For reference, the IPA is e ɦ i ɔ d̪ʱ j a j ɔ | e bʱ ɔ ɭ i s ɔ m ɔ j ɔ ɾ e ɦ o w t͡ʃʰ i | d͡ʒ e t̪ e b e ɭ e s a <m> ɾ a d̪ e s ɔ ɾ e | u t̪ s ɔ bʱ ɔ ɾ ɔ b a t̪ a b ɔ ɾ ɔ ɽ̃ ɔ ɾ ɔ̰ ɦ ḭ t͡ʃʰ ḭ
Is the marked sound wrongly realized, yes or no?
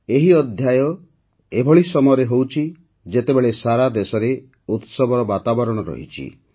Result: yes